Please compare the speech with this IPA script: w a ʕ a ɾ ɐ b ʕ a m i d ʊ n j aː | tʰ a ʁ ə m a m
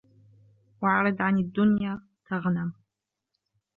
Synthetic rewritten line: w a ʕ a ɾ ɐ d ʕ a n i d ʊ n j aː | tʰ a ʁ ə n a m